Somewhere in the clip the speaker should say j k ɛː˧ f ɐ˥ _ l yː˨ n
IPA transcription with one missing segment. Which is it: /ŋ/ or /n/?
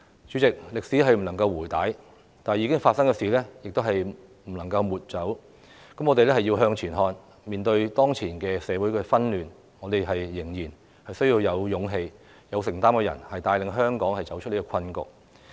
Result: n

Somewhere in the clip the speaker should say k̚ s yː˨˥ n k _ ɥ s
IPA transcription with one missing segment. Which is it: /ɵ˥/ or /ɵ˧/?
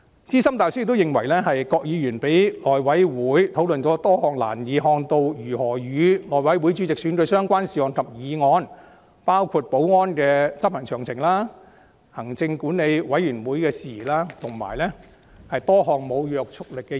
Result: ɵ˧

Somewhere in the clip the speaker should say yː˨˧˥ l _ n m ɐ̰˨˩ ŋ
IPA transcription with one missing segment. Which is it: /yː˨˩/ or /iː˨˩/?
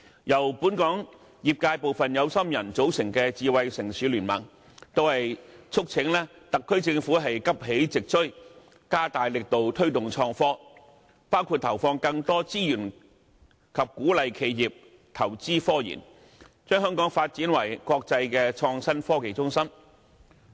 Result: yː˨˩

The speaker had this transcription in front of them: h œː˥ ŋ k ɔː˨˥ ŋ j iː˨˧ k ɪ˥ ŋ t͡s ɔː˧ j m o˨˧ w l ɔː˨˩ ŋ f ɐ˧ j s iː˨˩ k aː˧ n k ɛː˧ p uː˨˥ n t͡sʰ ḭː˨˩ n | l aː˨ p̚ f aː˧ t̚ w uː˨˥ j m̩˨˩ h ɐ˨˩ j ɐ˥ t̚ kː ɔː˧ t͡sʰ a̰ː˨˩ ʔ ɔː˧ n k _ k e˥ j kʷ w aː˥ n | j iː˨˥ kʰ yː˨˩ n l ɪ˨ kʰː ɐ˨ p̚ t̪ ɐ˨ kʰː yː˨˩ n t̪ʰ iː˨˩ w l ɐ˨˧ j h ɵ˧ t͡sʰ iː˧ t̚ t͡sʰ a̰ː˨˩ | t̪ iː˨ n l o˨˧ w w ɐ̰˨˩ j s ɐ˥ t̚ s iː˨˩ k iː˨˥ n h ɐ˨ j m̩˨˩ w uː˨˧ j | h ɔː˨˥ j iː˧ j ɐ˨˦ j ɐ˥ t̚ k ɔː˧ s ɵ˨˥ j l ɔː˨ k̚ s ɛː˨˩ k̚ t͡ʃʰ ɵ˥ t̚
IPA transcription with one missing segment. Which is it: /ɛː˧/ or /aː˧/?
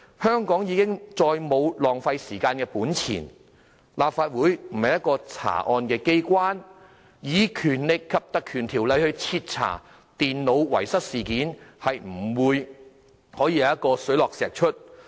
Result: ɛː˧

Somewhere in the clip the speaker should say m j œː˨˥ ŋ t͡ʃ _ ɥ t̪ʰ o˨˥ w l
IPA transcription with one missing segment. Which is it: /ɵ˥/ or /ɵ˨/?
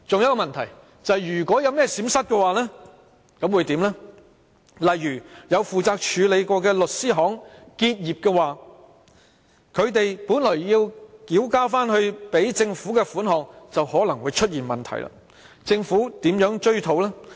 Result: ɵ˥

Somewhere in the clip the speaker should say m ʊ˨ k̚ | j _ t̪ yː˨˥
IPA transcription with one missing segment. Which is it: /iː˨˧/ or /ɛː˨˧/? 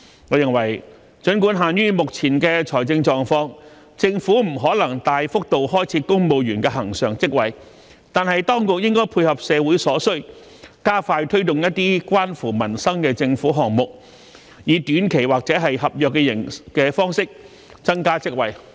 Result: iː˨˧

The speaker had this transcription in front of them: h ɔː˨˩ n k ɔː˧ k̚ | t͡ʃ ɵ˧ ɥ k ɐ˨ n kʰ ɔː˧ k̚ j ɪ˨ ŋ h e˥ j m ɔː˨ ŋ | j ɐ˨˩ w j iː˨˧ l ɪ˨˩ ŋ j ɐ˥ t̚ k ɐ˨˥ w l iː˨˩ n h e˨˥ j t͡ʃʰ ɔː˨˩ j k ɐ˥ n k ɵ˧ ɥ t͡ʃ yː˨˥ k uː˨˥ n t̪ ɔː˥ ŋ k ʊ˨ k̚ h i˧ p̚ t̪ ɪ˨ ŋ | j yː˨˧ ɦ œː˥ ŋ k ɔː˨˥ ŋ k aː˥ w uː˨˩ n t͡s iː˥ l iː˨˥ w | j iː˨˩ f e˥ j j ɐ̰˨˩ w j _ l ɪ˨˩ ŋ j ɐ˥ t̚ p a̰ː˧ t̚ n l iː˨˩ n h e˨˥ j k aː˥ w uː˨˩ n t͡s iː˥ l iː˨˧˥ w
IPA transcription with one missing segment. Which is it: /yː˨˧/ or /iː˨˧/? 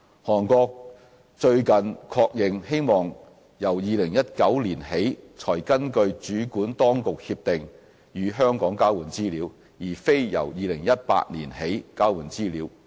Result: iː˨˧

